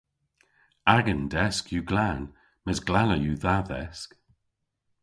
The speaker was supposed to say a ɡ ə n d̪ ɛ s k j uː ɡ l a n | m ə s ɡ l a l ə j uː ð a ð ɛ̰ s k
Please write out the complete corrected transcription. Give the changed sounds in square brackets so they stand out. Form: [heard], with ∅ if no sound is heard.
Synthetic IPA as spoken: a ɡ ə n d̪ ɛ s k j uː ɡ l a n | m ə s ɡ l a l ə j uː ð a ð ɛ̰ s k